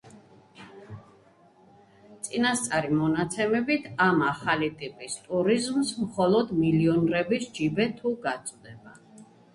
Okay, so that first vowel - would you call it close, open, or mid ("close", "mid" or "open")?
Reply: close